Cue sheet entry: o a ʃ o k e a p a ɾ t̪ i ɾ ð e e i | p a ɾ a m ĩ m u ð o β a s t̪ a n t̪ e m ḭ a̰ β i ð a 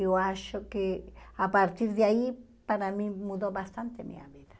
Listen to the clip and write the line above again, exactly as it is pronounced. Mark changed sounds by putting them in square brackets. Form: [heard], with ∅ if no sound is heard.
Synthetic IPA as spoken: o a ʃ o k e a p a ɾ t̪ i ɾ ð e [a] i | p a ɾ a m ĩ m u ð o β a s t̪ a n t̪ e m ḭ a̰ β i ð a